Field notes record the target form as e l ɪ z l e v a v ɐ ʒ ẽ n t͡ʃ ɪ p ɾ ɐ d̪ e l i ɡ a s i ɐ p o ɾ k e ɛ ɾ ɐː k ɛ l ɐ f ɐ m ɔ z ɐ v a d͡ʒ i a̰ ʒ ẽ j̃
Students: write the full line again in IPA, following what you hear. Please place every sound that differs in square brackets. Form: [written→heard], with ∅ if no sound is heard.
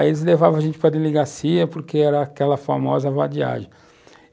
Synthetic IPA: e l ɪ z l e v a v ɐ ʒ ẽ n t͡ʃ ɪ p ɾ ɐ d̪ e l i ɡ a s i ɐ p o ɾ k e ɛ ɾ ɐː k ɛ l ɐ f [ɐ→a] m ɔ z ɐ v a d͡ʒ i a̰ ʒ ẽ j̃